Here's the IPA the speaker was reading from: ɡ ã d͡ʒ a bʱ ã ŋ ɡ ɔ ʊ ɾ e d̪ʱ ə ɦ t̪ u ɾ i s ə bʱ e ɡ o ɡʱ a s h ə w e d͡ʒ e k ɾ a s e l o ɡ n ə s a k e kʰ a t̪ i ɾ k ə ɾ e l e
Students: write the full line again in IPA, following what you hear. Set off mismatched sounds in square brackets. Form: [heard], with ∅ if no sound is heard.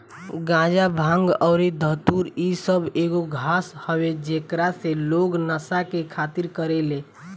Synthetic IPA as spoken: ɡ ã d͡ʒ a bʱ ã ŋ ɡ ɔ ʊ ɾ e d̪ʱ ə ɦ t̪ u ɾ i s ə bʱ e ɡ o ɡʱ a s h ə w e d͡ʒ e k ɾ a s e l o ɡ n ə s a k e kʰ a t̪ i ɾ k ə ɾ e l e